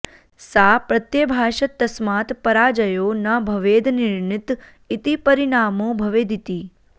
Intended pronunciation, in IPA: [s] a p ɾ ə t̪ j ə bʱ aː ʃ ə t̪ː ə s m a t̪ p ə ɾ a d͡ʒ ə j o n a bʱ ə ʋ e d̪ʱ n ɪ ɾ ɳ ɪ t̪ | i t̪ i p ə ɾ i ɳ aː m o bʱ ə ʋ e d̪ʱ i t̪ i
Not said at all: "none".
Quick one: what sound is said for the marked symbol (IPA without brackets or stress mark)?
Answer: s